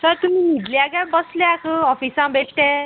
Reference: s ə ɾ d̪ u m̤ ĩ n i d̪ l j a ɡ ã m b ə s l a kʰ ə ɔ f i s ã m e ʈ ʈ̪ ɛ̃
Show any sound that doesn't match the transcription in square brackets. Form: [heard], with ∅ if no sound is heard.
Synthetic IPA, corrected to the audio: s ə ɾ [t̪] u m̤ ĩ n i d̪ l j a ɡ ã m b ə s l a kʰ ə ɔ f i s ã [b] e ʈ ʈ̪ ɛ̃